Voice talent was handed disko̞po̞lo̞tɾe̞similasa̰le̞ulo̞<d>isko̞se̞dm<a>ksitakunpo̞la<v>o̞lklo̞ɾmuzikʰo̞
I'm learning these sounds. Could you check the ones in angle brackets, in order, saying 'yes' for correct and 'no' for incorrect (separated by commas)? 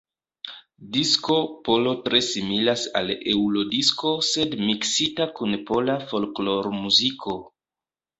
yes, no, no